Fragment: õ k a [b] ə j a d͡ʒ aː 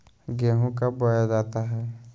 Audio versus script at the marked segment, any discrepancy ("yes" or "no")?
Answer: no